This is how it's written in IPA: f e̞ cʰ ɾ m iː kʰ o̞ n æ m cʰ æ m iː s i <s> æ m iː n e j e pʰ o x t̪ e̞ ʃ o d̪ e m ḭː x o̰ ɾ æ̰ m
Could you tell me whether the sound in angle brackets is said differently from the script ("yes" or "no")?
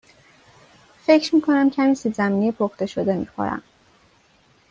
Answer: yes